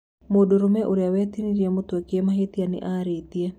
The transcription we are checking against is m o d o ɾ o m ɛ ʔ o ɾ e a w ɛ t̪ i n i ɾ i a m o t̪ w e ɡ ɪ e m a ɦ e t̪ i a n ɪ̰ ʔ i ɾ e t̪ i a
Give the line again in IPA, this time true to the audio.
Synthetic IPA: m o d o ɾ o m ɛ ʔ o ɾ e a w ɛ t̪ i n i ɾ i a m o t̪ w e k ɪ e m a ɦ e t̪ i a n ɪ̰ ʔ a ɾ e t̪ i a